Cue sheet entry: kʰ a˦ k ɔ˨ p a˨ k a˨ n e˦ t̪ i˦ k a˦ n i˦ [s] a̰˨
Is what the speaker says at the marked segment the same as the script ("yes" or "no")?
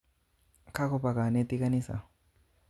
yes